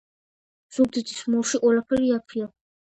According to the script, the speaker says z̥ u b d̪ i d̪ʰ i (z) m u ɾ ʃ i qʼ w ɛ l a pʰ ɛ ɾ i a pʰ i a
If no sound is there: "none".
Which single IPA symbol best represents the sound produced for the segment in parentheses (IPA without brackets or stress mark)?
s